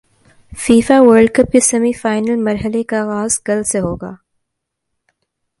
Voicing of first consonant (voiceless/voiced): voiceless